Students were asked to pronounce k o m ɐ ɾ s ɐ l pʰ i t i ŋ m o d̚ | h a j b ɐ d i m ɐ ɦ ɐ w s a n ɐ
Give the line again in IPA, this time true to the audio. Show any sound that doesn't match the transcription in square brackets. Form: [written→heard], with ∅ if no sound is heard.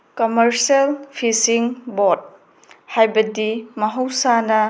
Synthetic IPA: k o m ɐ ɾ s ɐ l pʰ i [t→s] i ŋ [m→b] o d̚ | h a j b ɐ d i m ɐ ɦ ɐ w s a n ɐ